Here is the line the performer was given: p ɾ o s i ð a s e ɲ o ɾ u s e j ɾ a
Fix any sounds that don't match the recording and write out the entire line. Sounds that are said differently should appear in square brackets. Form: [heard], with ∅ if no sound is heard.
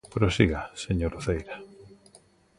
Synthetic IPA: p ɾ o s i [ɣ] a s e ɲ o ɾ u [θ] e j ɾ a